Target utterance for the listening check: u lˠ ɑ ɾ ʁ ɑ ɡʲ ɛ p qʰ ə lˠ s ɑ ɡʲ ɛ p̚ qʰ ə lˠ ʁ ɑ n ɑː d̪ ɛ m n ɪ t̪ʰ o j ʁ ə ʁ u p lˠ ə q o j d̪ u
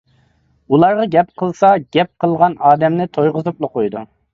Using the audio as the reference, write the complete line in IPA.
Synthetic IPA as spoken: u lˠ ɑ ɾ ʁ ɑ ɡʲ ɛ p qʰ ə lˠ s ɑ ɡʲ ɛ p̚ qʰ ə lˠ ʁ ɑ n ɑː d̪ ɛ m n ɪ t̪ʰ o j ʁ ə z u p lˠ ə q o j d̪ u